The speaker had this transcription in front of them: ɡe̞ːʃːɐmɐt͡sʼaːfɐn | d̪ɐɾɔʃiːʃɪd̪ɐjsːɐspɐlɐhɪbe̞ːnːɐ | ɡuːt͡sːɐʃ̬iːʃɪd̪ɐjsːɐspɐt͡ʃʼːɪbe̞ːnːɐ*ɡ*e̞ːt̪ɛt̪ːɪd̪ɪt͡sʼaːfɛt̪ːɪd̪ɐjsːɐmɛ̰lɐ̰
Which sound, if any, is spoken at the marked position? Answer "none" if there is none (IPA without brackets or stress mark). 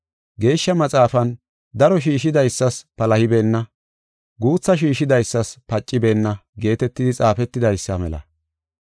ɡ